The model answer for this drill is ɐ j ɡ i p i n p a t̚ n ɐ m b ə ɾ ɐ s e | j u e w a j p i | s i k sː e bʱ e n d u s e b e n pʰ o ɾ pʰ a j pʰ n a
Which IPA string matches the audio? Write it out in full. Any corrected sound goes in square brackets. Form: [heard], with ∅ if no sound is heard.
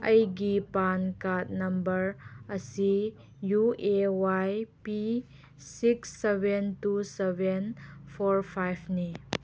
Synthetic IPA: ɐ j ɡ i p [a] n [k] a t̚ n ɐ m b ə ɾ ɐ s [i] | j u e w a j p i | s i k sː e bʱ e n [t] u s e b e n pʰ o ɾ pʰ a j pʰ n [i]